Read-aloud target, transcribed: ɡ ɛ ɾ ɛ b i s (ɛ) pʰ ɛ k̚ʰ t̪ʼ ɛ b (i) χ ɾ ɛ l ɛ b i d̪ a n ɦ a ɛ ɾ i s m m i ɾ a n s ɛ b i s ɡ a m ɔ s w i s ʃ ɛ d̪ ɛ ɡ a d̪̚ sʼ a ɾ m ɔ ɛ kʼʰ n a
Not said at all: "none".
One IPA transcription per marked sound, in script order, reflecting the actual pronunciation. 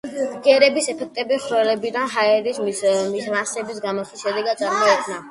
ɛ, i

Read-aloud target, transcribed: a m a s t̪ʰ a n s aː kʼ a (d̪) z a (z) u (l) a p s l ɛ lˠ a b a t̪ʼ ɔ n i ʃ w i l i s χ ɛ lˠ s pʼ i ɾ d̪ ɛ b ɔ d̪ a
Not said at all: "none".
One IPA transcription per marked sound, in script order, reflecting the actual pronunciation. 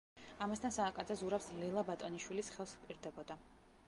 d̪, z, ɾ

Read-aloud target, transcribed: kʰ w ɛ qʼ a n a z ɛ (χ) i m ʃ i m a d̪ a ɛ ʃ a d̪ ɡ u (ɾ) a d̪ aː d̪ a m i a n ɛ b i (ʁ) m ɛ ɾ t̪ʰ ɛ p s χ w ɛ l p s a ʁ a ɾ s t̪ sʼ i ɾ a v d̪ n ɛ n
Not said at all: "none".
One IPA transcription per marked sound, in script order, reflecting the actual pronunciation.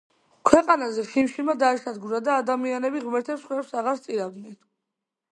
χ, ɾ, ʁ

